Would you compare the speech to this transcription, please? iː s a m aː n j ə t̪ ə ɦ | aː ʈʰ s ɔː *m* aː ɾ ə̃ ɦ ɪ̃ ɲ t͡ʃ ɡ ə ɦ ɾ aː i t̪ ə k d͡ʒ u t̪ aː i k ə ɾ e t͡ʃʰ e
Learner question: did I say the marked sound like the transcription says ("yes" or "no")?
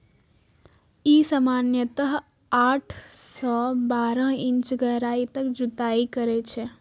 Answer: no